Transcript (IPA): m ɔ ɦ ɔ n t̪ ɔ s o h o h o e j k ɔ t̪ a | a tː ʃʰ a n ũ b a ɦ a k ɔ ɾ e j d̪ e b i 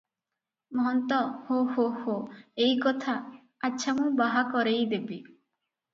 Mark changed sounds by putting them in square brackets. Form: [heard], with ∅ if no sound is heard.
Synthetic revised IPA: m ɔ ɦ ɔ n t̪ ɔ [h] o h o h o e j k ɔ [t̪ʰ] a | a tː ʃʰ a [m] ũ b a ɦ a k ɔ ɾ e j d̪ e b i